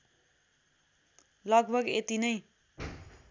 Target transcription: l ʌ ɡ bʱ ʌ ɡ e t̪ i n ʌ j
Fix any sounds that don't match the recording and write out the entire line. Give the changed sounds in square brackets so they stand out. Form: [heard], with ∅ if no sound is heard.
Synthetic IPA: l ʌ ɡ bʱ ʌ ɡ e t̪ i n ʌ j